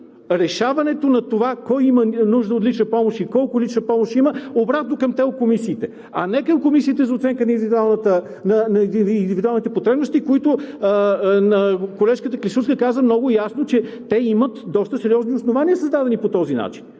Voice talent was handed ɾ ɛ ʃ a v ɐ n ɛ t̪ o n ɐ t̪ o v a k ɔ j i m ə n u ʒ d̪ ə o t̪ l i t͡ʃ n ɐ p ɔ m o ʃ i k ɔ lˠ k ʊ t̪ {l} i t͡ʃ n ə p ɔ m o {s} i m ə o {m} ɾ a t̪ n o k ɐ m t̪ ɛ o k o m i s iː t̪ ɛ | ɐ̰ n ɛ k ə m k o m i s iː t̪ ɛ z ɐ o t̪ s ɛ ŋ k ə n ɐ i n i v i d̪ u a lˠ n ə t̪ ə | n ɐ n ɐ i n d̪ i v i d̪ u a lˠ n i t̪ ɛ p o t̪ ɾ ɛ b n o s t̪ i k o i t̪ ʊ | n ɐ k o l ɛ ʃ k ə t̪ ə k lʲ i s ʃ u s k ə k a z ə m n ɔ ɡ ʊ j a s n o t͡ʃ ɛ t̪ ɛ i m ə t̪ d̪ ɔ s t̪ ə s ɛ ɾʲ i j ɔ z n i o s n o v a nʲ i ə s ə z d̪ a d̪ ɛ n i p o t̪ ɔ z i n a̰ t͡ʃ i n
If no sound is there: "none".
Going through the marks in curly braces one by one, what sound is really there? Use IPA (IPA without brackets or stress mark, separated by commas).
l, ʃ, b